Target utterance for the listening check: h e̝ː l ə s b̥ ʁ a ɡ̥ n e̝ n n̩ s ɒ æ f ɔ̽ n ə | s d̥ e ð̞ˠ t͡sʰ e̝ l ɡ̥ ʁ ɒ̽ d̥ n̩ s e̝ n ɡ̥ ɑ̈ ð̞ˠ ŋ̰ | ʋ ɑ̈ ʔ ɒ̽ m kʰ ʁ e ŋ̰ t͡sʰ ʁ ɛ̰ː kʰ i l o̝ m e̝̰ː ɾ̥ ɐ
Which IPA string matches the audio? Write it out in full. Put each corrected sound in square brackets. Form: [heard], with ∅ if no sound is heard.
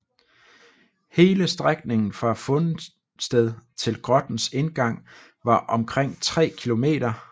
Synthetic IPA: h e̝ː l ə s [d̥] ʁ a ɡ̥ n e̝ [ŋ] n̩ [f] ɒ æ f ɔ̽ n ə | s d̥ e ð̞ˠ t͡sʰ e̝ l ɡ̥ ʁ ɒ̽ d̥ n̩ s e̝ n ɡ̥ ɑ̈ [∅] ŋ̰ | ʋ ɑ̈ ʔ ɒ̽ m kʰ ʁ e ŋ̰ t͡sʰ ʁ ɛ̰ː kʰ i l o̝ m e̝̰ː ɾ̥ ɐ